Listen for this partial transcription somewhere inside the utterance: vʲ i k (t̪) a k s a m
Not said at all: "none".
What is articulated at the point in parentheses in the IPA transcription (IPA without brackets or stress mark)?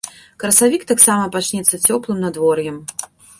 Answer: t̪